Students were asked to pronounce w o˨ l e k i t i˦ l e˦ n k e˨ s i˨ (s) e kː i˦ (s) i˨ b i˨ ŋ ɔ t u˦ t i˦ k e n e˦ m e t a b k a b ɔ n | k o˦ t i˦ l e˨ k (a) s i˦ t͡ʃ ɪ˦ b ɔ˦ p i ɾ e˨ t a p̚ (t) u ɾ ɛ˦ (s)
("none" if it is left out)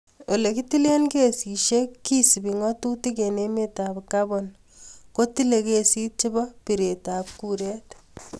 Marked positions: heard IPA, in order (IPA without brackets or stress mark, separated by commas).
ʃ, s, e, k, t